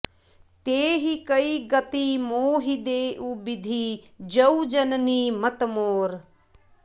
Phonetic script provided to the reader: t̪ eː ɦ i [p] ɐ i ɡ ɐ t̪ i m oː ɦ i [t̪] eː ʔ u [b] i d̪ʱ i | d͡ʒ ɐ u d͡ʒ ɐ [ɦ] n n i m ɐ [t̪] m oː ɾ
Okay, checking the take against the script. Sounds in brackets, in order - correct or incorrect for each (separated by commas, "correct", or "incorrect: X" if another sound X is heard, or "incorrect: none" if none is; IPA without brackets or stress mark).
incorrect: k, incorrect: d̪, correct, incorrect: none, correct